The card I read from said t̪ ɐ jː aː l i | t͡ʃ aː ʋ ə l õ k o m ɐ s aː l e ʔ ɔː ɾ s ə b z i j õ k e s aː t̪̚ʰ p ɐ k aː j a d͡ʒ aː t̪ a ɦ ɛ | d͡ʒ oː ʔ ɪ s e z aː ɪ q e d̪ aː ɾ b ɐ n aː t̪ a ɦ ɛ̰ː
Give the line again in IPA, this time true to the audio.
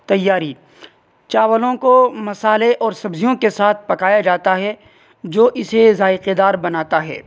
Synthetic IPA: t̪ ɐ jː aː ɾ i | t͡ʃ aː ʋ ə l õ k o m ɐ s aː l e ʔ ɔː ɾ s ɐ b z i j õ k e s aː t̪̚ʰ p ɐ k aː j a d͡ʒ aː t̪ a ɦ ɛ | d͡ʒ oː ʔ ɪ s e z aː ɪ q e d̪ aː ɾ b ɐ n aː t̪ a ɦ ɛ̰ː